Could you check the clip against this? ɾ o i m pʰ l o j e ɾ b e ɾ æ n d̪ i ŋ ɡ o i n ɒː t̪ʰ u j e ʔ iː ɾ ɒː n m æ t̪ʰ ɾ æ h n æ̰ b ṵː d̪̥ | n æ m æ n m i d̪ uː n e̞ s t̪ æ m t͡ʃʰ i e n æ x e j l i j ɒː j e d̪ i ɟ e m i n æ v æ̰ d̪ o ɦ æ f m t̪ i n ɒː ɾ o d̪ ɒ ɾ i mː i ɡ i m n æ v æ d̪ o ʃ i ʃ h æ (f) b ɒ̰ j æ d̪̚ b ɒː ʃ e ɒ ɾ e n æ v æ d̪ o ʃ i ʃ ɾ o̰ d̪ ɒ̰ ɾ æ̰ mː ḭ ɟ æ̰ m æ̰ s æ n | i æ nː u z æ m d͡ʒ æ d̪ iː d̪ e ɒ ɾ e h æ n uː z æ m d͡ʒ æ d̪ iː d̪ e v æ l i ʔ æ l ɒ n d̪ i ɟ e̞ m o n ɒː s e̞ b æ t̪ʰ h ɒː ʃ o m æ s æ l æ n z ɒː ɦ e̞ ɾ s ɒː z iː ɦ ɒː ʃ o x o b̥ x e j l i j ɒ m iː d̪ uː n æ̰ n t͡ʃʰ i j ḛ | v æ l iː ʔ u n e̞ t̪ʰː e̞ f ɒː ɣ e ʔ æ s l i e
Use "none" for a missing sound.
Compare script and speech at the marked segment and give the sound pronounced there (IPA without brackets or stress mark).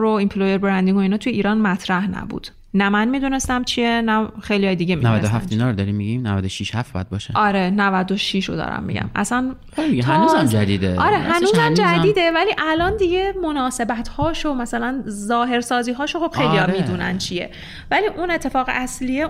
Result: f